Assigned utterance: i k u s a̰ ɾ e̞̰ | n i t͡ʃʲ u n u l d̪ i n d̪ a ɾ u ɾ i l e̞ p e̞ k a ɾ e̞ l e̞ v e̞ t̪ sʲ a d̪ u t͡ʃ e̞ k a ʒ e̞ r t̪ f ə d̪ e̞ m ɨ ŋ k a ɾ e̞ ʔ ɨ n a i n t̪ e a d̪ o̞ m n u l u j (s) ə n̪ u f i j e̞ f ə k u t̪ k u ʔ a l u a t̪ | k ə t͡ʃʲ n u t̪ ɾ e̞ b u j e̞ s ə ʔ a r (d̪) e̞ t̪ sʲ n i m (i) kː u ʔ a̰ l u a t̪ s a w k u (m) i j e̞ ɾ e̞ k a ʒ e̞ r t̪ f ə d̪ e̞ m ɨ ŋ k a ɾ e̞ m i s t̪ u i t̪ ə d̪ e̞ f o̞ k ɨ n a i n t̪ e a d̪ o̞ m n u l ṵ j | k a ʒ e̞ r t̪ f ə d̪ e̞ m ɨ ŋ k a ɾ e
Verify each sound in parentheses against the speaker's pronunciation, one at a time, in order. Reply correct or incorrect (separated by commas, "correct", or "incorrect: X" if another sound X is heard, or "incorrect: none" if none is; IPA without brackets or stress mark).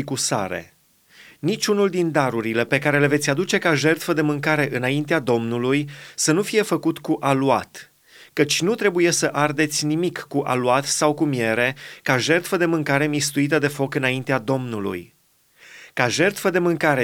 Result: correct, correct, correct, correct